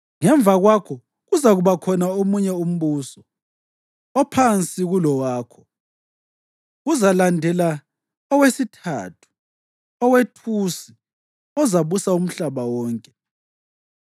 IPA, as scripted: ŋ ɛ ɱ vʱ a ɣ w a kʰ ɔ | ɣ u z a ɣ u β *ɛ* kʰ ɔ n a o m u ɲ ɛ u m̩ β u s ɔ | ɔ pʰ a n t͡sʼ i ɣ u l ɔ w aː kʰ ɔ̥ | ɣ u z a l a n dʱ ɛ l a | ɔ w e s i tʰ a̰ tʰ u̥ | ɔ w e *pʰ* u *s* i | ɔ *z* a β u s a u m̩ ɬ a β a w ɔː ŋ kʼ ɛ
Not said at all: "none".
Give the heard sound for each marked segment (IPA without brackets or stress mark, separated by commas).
a, tʰ, s, z